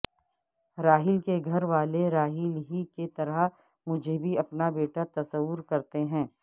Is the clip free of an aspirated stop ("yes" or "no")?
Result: yes